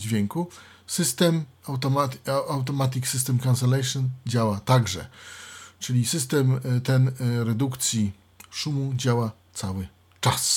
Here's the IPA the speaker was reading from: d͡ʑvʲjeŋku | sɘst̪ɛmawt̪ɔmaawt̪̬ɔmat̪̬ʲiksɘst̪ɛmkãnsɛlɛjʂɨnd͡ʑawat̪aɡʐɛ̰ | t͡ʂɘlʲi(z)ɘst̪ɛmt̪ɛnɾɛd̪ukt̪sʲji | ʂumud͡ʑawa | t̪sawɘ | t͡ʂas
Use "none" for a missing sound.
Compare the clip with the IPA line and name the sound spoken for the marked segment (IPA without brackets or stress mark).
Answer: s